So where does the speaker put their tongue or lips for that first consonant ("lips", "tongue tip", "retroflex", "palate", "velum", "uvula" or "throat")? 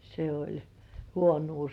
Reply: tongue tip